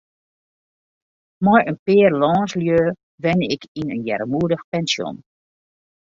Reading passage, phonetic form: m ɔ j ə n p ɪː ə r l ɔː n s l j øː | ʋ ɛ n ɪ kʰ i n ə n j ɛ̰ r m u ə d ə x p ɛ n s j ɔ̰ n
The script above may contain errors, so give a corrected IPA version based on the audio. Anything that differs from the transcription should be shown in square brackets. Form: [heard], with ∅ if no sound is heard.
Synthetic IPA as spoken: m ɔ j ə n p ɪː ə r l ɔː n s l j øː | ʋ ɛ n ɪ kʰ i n ə n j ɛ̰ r m u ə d ə x p ɛ n s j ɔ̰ n